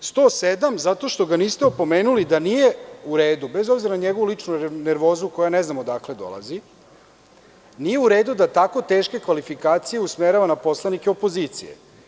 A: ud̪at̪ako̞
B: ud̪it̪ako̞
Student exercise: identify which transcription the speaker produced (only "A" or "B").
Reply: A